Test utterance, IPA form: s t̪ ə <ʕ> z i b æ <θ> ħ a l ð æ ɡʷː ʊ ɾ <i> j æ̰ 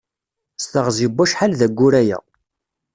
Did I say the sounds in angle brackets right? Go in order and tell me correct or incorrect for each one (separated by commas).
incorrect, incorrect, incorrect